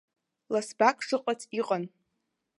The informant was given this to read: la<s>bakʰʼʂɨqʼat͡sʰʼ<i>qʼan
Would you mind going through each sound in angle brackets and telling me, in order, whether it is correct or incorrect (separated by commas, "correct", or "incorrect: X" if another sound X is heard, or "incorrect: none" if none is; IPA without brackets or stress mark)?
correct, correct